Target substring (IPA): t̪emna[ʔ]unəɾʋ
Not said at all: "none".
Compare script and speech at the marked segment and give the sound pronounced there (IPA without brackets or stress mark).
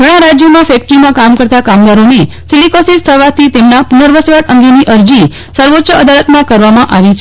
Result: p